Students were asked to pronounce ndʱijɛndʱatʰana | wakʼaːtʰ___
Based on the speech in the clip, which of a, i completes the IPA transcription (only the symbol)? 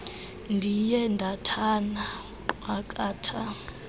a